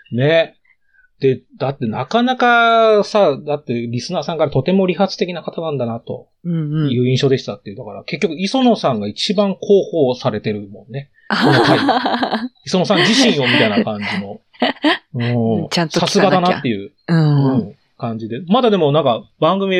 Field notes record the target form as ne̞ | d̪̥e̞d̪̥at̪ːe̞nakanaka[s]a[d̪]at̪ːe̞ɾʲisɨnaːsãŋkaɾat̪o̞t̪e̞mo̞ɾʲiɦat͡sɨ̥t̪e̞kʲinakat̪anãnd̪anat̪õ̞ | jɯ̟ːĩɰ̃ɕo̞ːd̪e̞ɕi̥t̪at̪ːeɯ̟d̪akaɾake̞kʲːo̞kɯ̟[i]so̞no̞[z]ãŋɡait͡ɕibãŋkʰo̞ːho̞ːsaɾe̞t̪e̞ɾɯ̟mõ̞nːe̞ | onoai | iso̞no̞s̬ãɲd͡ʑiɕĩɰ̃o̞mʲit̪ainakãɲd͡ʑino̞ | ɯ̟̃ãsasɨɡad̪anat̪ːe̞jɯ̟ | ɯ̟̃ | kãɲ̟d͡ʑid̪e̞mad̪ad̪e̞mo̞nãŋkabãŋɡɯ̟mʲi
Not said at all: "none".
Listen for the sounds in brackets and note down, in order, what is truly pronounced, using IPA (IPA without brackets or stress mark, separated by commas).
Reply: s, d̪, i, s